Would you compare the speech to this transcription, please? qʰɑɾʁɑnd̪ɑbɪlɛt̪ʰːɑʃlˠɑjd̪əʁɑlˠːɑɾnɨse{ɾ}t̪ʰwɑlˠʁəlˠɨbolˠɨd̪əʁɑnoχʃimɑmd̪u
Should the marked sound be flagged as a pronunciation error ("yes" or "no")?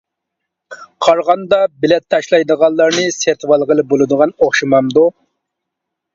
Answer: no